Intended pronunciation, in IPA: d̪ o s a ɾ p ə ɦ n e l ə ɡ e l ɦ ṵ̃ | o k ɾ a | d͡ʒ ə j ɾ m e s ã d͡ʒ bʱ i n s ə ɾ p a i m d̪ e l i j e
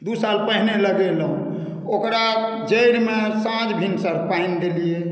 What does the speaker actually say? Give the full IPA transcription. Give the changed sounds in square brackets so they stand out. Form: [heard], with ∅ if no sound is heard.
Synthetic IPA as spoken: d̪ [u] s a [l] p ə ɦ n e l ə ɡ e l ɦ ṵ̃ | o k ɾ a | d͡ʒ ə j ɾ m e s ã d͡ʒ bʱ i n s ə ɾ p a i [n] d̪ e l i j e